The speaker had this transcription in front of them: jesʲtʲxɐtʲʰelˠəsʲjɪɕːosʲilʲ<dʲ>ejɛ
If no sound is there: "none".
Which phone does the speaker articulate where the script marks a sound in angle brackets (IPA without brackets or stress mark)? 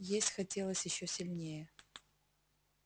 nʲ